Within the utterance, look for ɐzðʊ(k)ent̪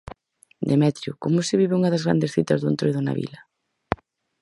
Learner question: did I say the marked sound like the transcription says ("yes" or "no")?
no